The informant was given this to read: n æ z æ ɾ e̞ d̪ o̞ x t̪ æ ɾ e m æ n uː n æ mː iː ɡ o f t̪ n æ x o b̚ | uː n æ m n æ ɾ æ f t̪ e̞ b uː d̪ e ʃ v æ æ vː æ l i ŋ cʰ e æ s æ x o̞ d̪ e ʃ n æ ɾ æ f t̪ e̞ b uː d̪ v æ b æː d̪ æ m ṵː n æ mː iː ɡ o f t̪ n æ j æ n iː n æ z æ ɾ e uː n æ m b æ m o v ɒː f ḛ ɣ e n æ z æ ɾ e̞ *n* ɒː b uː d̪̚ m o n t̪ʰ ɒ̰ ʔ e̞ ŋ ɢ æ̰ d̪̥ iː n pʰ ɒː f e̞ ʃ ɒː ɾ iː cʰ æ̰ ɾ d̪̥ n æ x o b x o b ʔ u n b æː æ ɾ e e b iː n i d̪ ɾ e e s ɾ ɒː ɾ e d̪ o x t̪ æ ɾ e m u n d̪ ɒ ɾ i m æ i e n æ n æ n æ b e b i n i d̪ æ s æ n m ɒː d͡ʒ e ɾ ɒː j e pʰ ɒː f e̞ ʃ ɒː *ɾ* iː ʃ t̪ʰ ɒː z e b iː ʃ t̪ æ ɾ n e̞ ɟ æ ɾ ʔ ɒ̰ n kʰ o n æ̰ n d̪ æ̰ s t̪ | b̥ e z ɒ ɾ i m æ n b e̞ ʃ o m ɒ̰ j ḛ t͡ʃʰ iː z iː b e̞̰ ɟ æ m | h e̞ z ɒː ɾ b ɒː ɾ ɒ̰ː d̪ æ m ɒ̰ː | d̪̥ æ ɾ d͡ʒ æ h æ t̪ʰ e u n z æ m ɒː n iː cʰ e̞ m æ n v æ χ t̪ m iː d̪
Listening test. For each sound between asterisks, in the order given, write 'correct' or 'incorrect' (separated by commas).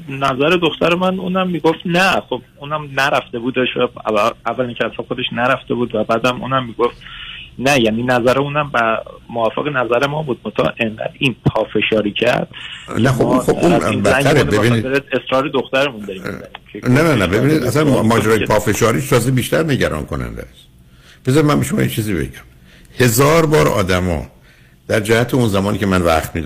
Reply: incorrect, correct